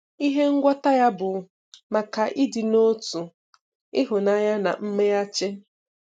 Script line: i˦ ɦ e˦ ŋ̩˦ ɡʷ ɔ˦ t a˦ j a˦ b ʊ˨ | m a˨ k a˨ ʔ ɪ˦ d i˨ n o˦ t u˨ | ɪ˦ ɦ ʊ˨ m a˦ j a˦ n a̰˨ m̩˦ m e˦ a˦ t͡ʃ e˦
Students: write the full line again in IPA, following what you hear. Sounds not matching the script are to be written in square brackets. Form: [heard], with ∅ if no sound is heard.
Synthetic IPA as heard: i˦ ɦ e˦ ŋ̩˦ ɡʷ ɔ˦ t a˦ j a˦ b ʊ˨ | m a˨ k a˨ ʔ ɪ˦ d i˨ n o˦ t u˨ | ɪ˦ ɦ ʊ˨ [n] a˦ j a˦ n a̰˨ m̩˦ m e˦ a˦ t͡ʃ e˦